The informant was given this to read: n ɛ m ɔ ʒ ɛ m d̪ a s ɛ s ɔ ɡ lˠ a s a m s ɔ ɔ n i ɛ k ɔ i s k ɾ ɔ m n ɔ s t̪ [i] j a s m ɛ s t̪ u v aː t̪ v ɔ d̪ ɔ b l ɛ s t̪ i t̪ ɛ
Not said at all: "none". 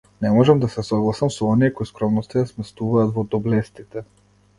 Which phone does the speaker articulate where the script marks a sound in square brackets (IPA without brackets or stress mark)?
a